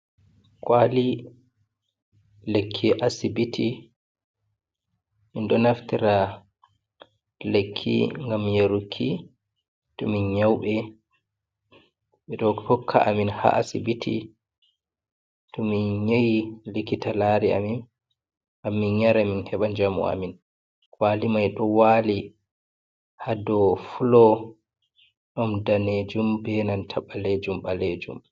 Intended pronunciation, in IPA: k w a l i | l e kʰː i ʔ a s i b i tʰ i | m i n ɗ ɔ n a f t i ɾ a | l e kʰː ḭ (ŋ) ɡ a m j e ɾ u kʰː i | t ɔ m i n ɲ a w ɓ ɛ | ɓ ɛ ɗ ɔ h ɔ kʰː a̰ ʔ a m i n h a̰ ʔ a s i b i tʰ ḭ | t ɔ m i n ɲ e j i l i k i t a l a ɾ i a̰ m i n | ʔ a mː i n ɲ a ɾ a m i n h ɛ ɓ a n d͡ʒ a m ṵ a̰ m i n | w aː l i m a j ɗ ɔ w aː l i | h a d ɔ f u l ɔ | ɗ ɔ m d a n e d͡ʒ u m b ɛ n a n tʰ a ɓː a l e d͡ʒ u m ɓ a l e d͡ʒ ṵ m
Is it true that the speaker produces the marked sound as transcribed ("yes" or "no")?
yes